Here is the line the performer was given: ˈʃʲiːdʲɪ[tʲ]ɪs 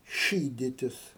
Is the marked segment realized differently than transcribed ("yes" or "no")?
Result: no